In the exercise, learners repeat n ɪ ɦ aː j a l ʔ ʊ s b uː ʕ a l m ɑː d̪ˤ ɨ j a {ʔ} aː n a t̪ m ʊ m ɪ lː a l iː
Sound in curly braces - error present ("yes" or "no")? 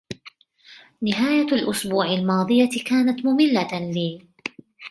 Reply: yes